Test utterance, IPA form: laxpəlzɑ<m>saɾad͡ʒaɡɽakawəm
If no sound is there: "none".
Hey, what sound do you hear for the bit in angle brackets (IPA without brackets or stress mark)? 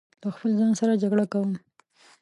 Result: n